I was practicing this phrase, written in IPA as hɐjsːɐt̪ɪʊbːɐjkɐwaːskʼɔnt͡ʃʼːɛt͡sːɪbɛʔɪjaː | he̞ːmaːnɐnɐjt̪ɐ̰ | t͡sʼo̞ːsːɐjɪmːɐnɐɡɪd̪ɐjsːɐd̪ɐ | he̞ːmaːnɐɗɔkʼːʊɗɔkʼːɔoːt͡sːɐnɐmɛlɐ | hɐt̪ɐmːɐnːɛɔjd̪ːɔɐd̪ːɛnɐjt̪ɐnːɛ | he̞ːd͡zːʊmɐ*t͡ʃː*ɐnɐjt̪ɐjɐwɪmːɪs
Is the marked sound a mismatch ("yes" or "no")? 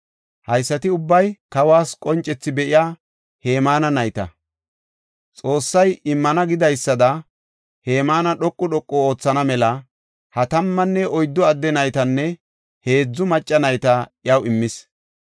yes